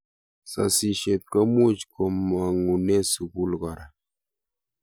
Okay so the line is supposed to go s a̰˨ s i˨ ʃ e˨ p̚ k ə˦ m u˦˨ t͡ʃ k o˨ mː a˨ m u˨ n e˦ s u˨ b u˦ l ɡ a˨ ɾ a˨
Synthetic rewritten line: s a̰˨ s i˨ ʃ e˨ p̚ k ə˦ m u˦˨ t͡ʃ k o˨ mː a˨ ŋ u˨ n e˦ s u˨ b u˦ l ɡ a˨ ɾ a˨